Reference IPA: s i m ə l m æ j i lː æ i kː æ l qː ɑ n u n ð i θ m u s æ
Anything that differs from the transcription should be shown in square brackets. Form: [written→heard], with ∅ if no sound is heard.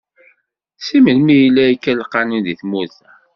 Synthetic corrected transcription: s i m ə l m [æ→i] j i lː æ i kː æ l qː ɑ n u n ð i θ m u [s→θ] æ